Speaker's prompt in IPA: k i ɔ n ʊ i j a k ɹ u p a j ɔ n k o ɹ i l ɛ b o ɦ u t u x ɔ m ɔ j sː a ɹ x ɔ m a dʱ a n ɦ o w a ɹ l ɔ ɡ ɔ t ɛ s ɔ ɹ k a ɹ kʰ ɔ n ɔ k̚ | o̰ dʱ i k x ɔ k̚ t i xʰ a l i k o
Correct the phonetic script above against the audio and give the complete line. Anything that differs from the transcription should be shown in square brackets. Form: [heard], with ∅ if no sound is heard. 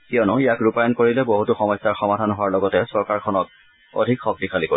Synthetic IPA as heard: k i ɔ n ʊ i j a k ɹ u p a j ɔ n k o ɹ i l ɛ b o ɦ u t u x ɔ m ɔ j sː a ɹ x ɔ m a dʱ a n ɦ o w a ɹ l ɔ ɡ ɔ t ɛ s ɔ ɹ k a ɹ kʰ ɔ n ɔ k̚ | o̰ dʱ i k x ɔ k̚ t i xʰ a l i k o